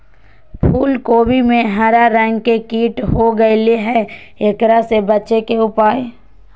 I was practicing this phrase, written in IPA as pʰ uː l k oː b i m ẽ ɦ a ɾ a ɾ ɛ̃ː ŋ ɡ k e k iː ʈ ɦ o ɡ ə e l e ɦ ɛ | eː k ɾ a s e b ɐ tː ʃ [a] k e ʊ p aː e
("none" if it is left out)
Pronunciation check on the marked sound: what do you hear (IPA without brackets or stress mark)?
e